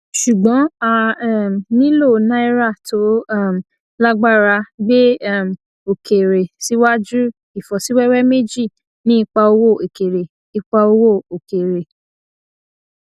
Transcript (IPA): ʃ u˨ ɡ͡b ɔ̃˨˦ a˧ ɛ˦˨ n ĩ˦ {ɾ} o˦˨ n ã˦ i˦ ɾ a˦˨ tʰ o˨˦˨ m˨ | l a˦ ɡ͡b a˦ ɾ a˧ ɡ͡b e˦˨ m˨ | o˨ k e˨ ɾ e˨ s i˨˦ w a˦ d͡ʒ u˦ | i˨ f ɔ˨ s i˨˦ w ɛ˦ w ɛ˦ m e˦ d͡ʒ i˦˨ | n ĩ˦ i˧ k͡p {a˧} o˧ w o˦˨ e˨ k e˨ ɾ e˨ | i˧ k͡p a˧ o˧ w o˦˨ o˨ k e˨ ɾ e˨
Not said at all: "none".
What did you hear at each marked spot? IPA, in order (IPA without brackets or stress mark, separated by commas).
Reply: l, a˧